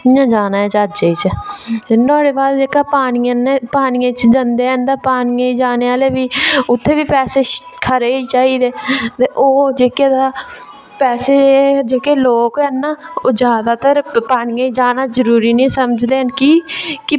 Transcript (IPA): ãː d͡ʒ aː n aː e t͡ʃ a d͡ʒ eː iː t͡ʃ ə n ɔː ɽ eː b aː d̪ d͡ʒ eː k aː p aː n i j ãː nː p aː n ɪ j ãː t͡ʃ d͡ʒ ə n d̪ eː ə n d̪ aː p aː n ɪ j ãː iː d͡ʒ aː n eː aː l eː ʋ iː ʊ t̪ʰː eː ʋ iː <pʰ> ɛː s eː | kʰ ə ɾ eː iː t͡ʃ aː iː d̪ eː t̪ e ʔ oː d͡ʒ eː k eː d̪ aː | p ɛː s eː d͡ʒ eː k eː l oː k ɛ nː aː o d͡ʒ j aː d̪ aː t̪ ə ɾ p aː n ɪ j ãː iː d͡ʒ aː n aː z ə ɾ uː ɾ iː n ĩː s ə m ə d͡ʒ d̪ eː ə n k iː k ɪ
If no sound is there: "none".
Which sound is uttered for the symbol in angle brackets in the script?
p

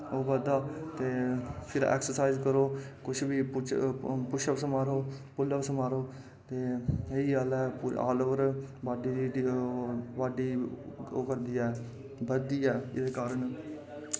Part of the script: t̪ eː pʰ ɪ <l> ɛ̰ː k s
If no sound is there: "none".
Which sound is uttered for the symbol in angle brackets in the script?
ɾ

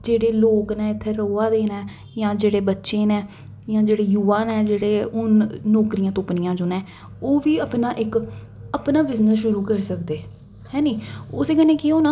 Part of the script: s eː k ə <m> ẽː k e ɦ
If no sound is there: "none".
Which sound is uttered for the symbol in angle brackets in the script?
n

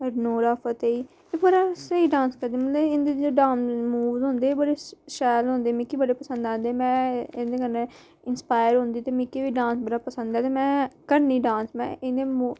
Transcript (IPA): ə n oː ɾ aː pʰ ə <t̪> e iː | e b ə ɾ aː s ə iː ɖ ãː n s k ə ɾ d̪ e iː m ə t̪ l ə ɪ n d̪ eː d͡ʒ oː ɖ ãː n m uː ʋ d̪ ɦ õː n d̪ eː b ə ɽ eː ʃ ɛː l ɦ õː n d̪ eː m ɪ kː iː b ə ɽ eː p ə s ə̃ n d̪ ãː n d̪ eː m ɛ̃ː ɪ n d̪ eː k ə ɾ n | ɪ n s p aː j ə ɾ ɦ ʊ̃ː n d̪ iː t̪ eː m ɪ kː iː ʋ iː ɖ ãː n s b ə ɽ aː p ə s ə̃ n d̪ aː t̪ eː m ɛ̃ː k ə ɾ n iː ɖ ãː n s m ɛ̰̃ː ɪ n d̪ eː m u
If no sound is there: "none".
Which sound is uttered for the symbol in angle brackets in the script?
t̪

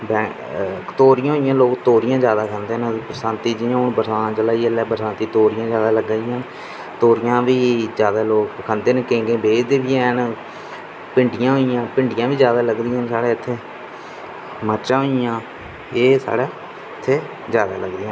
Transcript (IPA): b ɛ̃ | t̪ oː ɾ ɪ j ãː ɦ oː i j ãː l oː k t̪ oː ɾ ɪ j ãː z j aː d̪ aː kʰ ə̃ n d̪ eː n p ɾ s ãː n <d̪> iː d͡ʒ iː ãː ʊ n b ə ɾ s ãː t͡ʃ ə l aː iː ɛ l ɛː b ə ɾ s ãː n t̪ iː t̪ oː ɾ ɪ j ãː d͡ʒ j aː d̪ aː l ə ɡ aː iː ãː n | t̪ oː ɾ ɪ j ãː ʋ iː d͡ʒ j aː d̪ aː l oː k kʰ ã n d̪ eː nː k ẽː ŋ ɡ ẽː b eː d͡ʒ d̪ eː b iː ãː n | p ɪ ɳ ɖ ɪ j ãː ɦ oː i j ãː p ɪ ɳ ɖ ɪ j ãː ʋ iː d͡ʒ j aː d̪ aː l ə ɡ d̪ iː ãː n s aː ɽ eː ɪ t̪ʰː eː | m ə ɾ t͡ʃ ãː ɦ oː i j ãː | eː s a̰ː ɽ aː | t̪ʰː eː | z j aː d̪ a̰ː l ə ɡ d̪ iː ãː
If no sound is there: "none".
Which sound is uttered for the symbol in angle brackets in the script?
t̪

